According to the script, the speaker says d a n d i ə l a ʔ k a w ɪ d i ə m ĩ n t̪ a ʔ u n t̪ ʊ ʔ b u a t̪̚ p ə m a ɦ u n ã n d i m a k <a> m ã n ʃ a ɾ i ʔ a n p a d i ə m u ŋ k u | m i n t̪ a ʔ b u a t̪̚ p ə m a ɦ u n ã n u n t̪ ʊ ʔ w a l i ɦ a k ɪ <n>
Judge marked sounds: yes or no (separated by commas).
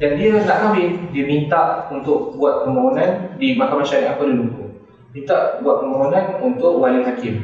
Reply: yes, no